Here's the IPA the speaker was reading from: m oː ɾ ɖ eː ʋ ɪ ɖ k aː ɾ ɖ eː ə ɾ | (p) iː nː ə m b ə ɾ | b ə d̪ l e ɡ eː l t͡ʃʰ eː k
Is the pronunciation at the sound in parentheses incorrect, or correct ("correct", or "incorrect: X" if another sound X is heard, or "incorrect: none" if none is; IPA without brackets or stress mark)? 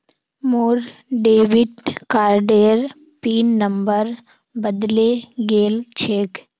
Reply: correct